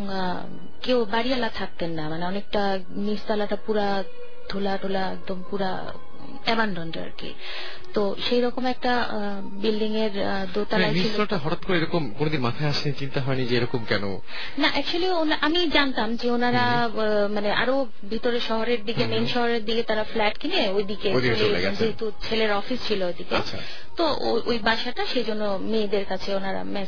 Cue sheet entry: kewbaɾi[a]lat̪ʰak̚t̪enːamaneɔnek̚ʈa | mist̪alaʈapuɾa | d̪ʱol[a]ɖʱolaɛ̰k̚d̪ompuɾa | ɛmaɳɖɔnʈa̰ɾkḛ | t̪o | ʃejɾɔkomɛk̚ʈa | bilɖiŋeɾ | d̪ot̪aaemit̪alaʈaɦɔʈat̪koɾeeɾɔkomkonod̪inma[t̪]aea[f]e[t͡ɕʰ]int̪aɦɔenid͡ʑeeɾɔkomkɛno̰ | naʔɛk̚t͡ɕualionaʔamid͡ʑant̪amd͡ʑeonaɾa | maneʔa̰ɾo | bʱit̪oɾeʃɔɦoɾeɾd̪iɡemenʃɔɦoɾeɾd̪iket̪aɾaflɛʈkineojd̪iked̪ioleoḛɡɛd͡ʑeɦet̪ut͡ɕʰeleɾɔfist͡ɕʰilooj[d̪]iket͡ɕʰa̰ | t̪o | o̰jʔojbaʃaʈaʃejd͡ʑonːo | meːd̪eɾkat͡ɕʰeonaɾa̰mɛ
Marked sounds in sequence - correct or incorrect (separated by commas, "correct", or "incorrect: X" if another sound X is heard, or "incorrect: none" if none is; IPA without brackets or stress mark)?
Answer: correct, correct, incorrect: t̪ʰ, incorrect: ʃ, incorrect: t͡ɕ, correct